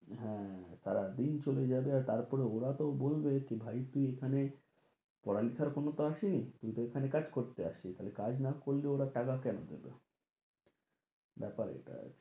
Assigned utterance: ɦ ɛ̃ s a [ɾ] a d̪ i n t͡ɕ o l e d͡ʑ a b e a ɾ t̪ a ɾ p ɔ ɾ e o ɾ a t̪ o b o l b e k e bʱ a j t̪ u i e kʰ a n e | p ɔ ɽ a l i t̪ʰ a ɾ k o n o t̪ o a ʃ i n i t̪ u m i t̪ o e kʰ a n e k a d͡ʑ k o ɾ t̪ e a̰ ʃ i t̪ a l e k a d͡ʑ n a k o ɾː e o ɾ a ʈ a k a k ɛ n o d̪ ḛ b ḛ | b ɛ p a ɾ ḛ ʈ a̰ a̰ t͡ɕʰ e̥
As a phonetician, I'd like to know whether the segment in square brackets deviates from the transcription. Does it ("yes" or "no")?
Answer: no